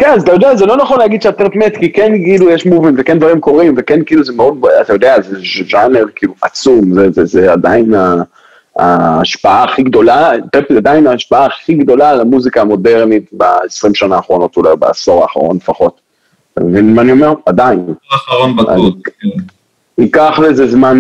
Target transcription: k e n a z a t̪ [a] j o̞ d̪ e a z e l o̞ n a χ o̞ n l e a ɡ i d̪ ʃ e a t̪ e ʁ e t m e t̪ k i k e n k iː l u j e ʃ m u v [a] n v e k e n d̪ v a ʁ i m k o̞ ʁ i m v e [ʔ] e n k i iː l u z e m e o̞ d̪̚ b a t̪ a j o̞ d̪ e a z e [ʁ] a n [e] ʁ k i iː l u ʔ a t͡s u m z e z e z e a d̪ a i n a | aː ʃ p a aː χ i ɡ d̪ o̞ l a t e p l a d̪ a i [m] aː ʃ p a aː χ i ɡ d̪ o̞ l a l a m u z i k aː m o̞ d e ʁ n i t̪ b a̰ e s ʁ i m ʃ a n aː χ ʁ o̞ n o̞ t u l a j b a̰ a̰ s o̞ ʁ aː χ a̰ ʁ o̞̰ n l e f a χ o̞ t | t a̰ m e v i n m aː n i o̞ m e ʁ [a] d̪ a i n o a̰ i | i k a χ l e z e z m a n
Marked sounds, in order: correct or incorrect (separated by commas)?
correct, incorrect, incorrect, incorrect, correct, incorrect, correct